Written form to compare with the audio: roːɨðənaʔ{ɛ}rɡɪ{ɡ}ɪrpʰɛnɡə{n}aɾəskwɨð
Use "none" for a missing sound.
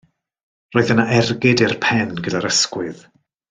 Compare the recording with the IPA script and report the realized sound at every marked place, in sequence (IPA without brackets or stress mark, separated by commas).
ɛ, d, d